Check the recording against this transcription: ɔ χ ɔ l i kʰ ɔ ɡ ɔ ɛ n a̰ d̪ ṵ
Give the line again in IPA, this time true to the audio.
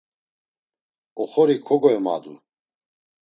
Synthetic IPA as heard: ɔ χ ɔ ɾ i kʰ ɔ ɡ ɔ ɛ m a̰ d̪ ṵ